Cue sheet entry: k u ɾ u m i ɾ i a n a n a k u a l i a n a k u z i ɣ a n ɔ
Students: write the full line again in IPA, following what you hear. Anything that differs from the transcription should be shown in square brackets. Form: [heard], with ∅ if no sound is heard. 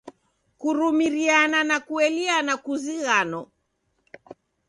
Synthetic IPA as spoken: k u ɾ u m i ɾ i a n a n a k u [ɛ] l i a n a k u z i ɣ a n ɔ